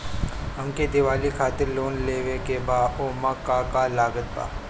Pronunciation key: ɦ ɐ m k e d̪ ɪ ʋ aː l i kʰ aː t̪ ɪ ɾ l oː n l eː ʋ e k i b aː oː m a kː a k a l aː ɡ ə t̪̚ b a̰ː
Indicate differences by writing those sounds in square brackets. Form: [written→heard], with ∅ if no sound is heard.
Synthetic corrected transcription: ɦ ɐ m k e d̪ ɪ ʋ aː l i kʰ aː t̪ ɪ ɾ l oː n l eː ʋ e k [i→e] b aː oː m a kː a k a l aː ɡ ə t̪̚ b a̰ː